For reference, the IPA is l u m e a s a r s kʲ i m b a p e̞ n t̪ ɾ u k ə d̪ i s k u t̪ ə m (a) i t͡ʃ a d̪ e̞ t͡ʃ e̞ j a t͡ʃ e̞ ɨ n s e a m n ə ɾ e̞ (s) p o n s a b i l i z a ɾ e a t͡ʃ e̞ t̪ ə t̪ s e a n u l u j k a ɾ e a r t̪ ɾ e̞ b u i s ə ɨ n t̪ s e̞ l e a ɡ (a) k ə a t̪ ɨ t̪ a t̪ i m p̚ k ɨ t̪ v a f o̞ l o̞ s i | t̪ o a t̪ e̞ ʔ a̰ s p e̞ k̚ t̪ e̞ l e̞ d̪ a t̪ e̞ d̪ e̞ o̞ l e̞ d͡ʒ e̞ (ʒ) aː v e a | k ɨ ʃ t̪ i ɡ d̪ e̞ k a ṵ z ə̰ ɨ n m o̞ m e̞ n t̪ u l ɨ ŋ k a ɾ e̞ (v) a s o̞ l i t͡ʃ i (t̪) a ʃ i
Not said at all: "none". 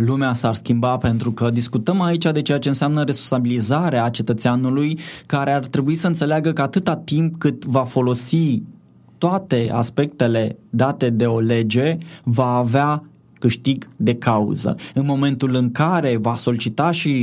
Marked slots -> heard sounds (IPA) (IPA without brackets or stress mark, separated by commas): a, s, ə, v, v, t̪